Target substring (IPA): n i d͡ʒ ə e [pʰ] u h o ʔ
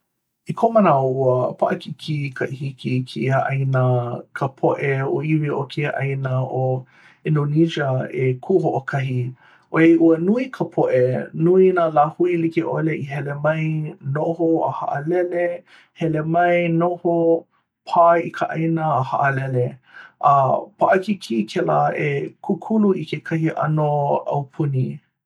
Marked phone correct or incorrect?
incorrect